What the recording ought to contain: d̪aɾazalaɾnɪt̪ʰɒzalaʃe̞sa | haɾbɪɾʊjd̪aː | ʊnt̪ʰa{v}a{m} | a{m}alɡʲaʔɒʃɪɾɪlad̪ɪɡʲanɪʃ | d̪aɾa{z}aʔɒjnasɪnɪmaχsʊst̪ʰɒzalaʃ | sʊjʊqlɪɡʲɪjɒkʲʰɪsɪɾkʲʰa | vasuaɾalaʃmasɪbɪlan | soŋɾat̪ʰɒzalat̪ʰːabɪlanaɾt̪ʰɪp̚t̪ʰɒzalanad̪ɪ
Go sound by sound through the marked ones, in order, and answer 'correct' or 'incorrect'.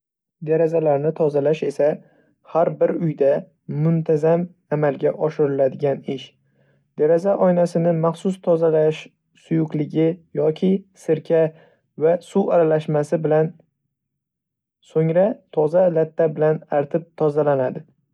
incorrect: z, correct, correct, correct

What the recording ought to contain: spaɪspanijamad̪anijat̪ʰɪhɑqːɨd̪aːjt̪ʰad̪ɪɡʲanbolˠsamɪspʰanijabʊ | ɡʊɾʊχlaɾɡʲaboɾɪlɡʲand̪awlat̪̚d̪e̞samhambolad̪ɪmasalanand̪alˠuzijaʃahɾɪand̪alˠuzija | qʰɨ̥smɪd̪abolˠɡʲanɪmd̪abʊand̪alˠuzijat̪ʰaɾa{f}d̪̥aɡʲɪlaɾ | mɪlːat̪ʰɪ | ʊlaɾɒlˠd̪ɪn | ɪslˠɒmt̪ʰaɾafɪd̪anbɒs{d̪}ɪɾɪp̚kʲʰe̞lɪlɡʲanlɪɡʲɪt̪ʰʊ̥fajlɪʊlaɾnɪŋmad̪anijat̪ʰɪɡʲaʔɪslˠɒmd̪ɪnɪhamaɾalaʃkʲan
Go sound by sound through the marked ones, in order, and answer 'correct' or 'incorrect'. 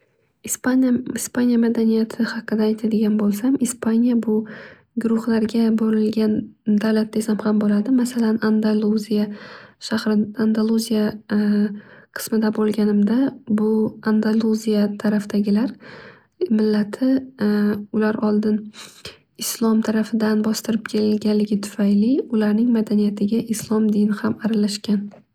correct, incorrect: t̪

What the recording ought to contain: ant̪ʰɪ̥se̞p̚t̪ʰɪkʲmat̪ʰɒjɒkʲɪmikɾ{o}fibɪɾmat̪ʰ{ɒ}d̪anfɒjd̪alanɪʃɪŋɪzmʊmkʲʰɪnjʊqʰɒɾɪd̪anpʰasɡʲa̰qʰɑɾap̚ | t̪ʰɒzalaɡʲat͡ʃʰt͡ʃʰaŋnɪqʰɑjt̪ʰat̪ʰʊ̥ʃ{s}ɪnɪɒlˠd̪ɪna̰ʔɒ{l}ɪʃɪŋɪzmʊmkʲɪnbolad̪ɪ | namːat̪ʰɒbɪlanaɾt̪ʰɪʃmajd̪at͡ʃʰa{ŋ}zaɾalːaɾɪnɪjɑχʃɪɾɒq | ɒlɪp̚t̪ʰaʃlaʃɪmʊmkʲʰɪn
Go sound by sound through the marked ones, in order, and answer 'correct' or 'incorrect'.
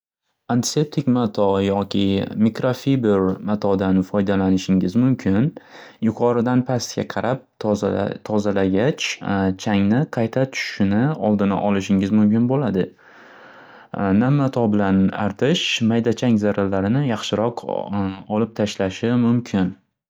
correct, correct, incorrect: ʃ, correct, correct

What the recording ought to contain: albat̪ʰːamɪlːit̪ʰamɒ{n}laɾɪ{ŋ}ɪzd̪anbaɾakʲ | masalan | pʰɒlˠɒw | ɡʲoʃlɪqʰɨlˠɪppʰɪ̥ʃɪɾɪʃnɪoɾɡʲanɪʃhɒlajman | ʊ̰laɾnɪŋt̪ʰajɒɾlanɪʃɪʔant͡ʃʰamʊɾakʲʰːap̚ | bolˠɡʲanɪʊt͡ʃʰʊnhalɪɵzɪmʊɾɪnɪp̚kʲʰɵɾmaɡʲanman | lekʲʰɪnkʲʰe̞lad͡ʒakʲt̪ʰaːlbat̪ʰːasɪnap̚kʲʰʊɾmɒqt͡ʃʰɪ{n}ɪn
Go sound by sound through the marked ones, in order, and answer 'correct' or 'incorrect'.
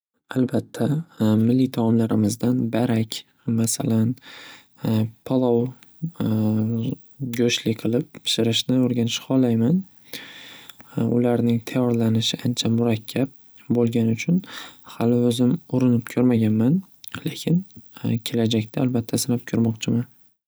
incorrect: m, incorrect: m, incorrect: m

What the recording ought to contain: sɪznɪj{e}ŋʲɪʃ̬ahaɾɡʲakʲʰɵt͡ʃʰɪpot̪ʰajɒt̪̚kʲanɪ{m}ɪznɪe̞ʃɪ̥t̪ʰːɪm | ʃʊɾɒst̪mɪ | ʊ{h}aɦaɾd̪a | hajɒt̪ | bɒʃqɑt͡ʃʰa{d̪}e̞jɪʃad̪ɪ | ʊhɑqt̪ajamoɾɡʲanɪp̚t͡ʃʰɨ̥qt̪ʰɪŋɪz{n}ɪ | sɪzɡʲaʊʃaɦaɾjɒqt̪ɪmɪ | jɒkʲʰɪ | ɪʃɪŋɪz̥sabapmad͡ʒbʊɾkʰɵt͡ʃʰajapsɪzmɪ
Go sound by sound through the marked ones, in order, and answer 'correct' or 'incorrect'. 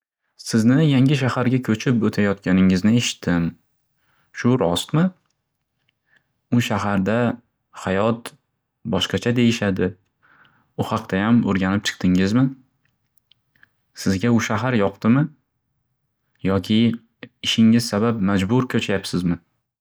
incorrect: a, incorrect: ŋ, incorrect: ʃ, correct, incorrect: m

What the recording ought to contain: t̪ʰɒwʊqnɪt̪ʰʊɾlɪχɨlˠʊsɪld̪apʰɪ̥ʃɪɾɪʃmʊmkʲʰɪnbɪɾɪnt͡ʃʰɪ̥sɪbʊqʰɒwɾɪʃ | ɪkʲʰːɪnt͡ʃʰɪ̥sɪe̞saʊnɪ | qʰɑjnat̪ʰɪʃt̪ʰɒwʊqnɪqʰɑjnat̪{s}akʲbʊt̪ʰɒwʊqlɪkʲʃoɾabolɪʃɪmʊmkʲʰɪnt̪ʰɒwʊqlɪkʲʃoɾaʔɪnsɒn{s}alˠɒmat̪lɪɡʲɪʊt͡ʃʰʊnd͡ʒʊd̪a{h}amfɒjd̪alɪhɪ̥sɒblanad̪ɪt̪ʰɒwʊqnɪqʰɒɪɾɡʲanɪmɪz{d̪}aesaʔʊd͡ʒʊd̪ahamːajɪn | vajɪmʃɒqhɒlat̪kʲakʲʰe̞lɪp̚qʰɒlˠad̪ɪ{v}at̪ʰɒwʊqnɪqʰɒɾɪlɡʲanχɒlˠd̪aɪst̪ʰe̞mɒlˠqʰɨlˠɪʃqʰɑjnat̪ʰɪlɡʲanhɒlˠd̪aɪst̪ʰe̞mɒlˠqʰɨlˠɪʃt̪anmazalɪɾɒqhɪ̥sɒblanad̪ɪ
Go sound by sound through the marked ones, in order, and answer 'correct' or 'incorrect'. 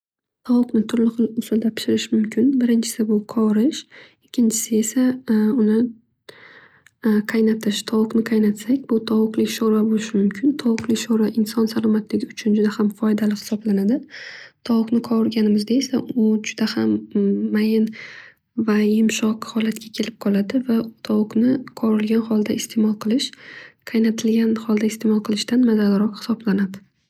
correct, correct, correct, correct, correct

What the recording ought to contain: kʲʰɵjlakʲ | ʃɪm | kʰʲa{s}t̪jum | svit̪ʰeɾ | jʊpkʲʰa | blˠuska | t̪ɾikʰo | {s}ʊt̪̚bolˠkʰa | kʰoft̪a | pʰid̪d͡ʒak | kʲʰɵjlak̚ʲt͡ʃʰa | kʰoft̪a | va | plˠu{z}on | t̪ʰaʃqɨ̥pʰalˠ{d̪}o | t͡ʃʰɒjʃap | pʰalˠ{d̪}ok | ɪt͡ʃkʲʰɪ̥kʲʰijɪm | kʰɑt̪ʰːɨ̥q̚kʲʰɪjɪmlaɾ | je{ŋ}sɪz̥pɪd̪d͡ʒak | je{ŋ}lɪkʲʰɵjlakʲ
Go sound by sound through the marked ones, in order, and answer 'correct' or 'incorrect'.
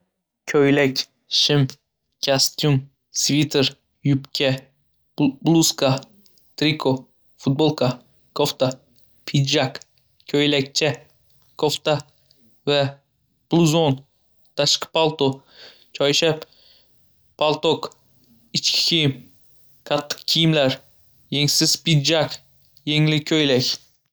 correct, incorrect: f, correct, incorrect: t̪, incorrect: t̪, correct, correct

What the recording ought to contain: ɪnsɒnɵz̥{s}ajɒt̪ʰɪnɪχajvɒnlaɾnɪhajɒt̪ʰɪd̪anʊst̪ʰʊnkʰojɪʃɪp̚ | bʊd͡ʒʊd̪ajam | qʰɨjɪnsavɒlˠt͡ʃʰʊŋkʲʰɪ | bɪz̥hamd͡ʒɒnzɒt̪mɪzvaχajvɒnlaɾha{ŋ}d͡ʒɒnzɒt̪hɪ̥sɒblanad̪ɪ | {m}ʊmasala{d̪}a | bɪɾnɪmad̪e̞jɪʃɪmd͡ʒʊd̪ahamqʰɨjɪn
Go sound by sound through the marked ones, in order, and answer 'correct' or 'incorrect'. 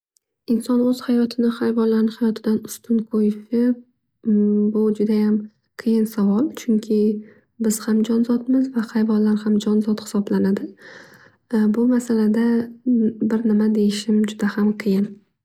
incorrect: h, incorrect: m, incorrect: b, correct

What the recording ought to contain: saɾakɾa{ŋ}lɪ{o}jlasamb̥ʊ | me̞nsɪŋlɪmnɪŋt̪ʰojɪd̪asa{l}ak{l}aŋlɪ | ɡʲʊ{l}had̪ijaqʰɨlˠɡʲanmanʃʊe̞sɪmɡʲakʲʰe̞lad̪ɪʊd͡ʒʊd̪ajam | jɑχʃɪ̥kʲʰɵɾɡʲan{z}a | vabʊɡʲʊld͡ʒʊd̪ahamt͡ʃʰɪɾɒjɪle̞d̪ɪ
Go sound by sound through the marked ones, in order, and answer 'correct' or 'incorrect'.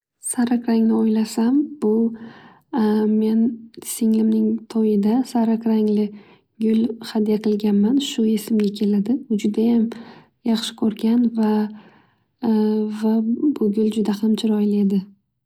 correct, correct, incorrect: ɾ, incorrect: ɾ, correct, incorrect: v

